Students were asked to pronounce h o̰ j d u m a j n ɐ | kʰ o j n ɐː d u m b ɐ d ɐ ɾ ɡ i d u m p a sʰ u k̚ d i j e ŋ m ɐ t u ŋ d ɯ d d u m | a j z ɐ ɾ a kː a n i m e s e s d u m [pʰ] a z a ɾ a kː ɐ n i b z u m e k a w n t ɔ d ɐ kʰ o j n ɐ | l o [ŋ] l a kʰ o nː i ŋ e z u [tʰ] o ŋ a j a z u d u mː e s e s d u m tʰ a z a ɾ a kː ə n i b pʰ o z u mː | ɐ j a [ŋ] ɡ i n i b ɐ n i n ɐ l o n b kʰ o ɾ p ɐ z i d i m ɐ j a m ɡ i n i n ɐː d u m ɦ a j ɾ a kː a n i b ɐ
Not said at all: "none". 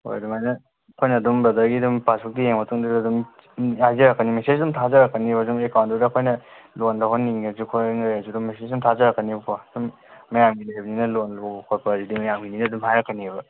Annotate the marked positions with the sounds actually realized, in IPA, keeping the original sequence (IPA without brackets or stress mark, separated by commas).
tʰ, n, kʰ, m